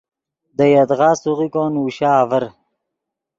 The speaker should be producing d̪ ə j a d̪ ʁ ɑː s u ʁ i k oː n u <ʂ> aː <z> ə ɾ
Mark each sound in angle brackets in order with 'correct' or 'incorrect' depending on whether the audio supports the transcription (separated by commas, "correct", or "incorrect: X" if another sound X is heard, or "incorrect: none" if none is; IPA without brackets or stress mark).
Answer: incorrect: ɕ, incorrect: v